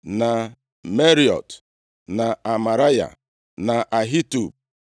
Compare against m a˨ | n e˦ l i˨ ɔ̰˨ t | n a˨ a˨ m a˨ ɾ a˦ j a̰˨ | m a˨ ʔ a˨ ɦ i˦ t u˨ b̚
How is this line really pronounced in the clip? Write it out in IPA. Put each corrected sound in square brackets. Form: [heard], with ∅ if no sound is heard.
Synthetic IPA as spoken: [n] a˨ | [m] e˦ [ɾ] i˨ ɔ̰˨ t | n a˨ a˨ m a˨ ɾ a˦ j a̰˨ | [n] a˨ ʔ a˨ ɦ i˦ t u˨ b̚